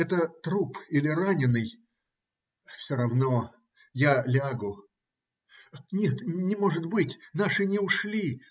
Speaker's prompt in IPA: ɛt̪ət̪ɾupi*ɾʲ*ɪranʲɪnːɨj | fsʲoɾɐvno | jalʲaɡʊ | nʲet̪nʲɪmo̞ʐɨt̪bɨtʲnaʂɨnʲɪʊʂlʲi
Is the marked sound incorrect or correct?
incorrect: lʲ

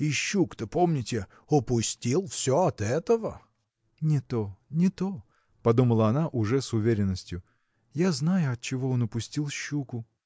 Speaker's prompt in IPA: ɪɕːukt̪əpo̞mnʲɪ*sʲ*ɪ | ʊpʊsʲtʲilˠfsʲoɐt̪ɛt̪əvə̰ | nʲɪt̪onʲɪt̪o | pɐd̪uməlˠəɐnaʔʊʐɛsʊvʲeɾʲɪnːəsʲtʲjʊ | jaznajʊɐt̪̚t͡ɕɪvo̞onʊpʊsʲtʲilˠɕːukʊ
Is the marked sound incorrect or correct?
incorrect: tʲ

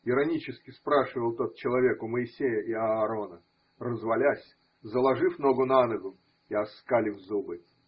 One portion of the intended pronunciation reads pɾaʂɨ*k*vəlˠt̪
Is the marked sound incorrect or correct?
incorrect: none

